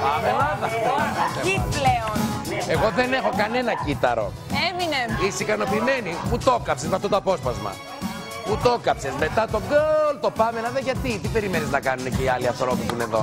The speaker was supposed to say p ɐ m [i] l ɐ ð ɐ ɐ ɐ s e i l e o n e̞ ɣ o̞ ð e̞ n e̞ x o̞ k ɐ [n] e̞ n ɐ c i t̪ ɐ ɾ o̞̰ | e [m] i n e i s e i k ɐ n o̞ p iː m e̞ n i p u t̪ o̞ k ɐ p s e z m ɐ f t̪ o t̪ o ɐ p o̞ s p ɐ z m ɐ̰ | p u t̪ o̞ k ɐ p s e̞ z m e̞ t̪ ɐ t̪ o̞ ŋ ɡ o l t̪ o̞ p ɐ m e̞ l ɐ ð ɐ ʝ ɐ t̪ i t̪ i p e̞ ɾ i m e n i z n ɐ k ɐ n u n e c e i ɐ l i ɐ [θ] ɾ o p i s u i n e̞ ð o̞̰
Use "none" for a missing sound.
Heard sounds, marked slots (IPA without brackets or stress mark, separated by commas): e, n, m, θ